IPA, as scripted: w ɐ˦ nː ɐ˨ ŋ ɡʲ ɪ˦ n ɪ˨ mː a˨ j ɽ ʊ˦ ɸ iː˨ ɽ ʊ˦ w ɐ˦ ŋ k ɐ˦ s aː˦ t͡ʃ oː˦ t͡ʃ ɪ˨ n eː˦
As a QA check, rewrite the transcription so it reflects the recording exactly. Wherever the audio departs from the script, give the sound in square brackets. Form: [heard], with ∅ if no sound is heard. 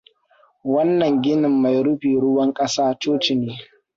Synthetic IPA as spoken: w ɐ˦ nː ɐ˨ ŋ ɡʲ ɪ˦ n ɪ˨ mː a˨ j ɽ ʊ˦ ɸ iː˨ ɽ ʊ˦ w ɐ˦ ŋ [kʼ] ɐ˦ s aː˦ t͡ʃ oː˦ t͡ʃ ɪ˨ n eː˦

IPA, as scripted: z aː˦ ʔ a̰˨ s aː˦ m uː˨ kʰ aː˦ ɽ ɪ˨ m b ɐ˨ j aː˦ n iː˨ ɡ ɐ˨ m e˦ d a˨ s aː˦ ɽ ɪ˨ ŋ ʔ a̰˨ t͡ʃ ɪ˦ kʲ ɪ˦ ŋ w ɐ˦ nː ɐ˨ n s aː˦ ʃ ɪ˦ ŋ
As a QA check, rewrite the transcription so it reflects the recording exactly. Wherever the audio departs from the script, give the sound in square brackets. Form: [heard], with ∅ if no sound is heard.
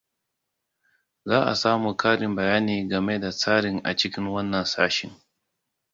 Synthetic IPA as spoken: z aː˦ ʔ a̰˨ s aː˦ m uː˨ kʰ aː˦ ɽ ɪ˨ m b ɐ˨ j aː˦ n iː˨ ɡ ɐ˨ m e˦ d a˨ s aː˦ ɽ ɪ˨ ŋ ʔ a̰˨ t͡ʃ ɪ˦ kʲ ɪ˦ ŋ w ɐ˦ nː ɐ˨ n s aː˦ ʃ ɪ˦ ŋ

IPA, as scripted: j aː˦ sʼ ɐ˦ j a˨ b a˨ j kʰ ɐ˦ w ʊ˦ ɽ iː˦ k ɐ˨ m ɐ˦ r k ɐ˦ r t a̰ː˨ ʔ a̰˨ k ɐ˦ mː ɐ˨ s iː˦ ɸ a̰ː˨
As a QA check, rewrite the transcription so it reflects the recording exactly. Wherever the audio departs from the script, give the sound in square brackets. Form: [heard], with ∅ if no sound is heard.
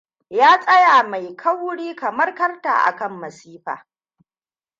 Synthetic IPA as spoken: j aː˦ sʼ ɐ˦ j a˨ [m] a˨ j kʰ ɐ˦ w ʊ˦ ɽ iː˦ k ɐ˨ m ɐ˦ r k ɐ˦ r t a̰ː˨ ʔ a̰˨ k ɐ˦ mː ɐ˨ s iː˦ ɸ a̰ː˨

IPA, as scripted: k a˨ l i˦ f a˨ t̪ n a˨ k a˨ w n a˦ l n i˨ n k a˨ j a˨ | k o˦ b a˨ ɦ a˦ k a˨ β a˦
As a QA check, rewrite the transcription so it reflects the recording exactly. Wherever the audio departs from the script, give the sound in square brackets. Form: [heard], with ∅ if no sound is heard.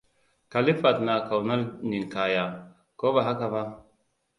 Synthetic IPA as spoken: k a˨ l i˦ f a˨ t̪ n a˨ k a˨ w n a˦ l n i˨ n k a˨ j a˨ | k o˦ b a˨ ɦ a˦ k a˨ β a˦

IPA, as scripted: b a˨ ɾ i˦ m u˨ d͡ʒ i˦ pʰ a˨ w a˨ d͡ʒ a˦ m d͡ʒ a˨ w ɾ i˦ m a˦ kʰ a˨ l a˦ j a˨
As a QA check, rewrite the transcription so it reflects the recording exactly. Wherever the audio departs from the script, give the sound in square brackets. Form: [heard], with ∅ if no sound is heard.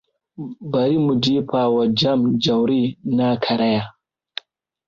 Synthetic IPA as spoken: b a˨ ɾ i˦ m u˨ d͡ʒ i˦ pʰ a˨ w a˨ d͡ʒ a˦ m d͡ʒ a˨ w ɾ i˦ [n] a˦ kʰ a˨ [ɾ] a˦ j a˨

